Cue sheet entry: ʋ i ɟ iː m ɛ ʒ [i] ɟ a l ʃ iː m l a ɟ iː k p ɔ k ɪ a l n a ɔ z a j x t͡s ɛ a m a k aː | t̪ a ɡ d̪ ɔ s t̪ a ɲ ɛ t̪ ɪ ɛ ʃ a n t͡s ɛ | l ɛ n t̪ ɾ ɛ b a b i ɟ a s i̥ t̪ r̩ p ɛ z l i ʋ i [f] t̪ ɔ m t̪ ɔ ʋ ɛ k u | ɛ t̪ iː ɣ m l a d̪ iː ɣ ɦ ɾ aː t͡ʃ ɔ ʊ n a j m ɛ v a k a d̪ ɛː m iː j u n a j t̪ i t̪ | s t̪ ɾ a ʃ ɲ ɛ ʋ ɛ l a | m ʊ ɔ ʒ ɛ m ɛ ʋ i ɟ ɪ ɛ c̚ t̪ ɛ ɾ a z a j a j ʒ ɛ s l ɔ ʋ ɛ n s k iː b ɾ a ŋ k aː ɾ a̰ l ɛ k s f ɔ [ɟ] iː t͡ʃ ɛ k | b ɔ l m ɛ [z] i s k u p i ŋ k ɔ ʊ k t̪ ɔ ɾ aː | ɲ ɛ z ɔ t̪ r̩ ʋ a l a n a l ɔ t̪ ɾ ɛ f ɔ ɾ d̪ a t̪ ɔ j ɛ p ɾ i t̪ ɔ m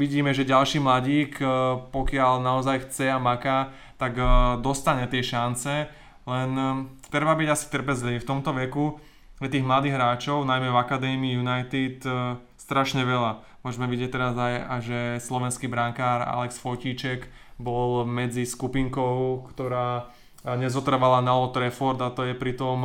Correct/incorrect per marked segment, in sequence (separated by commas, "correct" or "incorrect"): incorrect, correct, incorrect, incorrect